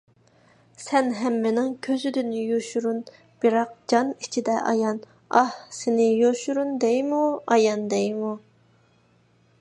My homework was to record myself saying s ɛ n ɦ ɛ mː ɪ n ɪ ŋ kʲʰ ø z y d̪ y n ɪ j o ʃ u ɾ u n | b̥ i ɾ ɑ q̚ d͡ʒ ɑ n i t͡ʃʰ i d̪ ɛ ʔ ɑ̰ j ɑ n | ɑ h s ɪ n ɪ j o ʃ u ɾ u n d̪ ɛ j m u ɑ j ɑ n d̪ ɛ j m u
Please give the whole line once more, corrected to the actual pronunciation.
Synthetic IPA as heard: s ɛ n ɦ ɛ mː ɪ n ɪ ŋ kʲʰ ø z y d̪ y n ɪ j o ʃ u ɾ u n | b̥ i ɾ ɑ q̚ d͡ʒ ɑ n i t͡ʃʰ i d̪ ɛ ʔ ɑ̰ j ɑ n | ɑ h s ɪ n ɪ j o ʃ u ɾ u n d̪ ɛ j m u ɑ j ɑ n d̪ ɛ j m u